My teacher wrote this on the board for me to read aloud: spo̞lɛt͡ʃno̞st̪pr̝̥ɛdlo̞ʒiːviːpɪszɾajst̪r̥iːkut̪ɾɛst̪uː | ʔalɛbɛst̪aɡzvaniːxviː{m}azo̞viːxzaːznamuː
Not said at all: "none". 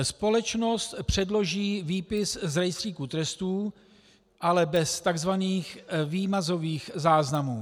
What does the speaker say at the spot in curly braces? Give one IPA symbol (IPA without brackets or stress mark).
m